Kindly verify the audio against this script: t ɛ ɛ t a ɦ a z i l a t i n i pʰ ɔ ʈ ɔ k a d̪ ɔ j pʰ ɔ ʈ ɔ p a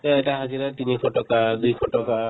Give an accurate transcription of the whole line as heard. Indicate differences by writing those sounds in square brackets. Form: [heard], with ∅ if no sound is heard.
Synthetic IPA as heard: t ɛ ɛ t a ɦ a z i [ɾ] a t i n i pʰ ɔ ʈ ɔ k a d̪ [u] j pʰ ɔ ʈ ɔ [k] a